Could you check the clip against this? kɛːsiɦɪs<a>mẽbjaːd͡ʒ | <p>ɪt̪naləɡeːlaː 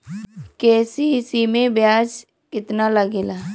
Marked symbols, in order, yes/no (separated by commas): no, no